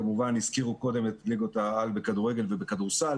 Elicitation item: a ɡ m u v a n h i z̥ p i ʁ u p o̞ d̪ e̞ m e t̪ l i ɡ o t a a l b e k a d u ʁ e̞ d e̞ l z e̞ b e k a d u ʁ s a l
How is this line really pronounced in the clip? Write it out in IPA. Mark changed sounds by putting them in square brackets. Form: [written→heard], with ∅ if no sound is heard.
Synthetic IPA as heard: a [ɡ→∅] m u v a n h i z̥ [p→k] i ʁ u [p→k] o̞ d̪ e̞ m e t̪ l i ɡ o t a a l b e k a d u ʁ e̞ [d→ɡ] e̞ l [z→v] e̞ b e k a d u ʁ s a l

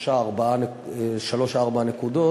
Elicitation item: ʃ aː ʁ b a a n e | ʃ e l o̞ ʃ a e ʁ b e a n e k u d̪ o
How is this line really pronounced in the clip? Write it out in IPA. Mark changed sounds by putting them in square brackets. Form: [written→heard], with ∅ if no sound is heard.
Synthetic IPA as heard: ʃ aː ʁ b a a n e | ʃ [e→a] l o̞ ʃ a [e→a] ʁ b [e→a] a n e k u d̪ o

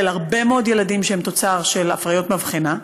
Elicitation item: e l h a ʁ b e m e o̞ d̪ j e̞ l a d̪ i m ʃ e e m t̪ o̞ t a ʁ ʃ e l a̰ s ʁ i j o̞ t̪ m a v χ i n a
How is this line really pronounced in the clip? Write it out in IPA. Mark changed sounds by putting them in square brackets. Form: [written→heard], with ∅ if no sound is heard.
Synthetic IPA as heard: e l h a ʁ b e m e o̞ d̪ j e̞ l a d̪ i m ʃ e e m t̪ o̞ [t→t͡s] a ʁ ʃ e l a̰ [s→f] ʁ [i→a] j o̞ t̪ m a v χ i n a

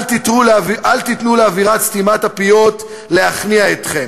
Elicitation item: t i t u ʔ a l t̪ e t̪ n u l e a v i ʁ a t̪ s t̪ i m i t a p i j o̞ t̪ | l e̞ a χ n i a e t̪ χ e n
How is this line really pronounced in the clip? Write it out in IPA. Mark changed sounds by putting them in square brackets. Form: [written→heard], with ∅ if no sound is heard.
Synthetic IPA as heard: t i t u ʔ a l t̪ [e→i] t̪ n u l e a v i ʁ a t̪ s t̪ i m [i→a] t a p i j o̞ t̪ | l e̞ a χ n i a e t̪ χ e [n→m]

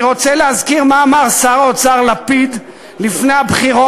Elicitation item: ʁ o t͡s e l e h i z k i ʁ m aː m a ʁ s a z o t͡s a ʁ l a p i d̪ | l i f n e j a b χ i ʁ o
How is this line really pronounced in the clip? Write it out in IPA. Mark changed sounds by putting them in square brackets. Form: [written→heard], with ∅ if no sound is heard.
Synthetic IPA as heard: ʁ o t͡s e l e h [i→a] z k i ʁ m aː m a ʁ s a [z→ʁ] o t͡s a ʁ l a p i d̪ | l i f n e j a b χ i ʁ o

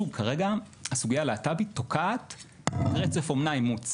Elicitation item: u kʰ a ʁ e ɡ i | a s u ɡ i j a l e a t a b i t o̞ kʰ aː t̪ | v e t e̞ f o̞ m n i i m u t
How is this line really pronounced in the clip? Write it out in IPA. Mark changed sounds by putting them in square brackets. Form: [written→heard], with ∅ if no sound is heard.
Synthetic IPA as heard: u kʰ a ʁ e ɡ [i→a] | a s u ɡ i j a l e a t a b i t o̞ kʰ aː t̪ | [v→ʁ] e [t→t͡s] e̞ f o̞ m n [i→a] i m u [t→t͡s]

